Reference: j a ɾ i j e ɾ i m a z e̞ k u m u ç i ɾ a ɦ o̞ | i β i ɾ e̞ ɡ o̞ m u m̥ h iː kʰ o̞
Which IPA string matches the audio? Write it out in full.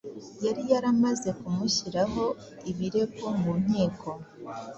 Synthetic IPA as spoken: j a ɾ i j a ɾ a m a z e̞ k u m u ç i ɾ a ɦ o̞ | i β i ɾ e̞ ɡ o̞ m u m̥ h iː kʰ o̞